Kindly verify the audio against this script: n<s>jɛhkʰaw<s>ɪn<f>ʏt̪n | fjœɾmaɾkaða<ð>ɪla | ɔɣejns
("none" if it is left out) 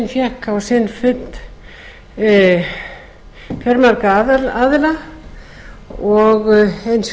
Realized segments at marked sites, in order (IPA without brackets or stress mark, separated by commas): f, s, f, ð